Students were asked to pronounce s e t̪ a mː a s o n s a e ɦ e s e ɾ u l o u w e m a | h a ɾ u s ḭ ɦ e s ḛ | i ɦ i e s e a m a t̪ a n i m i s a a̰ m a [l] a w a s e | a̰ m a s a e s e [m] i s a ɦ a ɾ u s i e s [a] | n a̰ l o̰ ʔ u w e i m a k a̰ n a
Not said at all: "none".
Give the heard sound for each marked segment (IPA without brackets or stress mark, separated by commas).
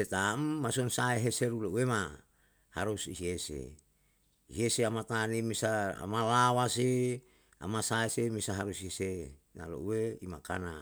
l, m, e